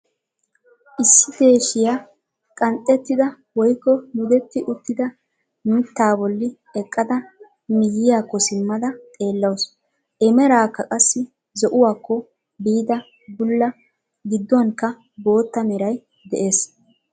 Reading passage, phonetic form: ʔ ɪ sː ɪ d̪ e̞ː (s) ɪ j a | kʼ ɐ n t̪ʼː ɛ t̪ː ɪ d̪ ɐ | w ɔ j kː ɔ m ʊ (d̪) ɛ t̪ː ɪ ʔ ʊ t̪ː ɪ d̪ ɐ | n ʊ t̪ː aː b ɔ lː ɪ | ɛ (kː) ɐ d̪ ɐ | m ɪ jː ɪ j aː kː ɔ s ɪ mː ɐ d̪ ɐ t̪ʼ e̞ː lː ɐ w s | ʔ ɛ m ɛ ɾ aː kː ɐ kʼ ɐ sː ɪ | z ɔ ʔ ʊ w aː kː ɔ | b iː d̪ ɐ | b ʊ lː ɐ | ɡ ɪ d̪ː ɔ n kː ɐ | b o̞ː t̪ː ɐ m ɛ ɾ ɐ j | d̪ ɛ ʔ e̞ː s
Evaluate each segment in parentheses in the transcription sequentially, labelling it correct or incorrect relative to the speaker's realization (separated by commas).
incorrect, correct, incorrect